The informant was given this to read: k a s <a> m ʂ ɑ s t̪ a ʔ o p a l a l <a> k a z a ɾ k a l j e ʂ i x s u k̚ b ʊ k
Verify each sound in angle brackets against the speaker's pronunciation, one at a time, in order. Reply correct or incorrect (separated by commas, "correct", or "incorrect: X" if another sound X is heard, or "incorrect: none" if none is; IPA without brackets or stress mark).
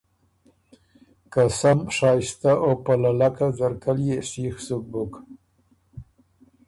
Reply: correct, correct